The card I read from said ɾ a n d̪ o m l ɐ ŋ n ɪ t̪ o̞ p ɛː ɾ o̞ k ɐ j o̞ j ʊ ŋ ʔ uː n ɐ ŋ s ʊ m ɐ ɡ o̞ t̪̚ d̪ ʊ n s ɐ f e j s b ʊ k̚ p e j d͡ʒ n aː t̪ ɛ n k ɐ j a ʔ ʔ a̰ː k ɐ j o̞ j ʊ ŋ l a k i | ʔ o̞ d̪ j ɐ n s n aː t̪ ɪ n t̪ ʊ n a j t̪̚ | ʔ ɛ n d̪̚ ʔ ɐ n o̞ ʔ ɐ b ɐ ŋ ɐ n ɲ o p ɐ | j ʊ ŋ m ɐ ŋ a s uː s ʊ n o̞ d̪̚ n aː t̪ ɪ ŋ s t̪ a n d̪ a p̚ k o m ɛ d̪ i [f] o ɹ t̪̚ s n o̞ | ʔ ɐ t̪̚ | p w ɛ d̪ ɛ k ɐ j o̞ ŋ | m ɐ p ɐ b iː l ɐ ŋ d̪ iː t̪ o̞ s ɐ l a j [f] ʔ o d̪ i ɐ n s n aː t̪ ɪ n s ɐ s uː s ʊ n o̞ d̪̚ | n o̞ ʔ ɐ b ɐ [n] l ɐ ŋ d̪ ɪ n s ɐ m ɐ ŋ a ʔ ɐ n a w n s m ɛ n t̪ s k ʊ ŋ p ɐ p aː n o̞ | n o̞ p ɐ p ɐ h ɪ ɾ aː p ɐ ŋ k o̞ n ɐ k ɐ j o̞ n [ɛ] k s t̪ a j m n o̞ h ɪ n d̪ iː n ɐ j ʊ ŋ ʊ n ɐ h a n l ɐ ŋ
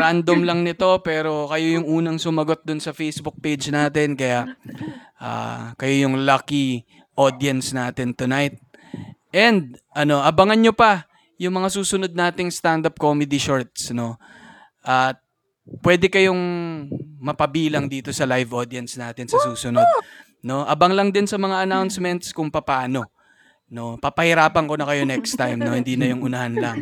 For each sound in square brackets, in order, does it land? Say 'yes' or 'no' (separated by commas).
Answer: no, no, no, yes